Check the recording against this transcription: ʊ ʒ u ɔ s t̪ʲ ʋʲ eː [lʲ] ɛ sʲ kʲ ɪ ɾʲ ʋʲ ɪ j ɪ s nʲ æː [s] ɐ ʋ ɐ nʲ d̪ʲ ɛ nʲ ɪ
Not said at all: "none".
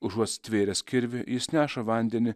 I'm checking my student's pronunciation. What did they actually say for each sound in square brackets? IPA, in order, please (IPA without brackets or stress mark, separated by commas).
ɾʲ, ʃ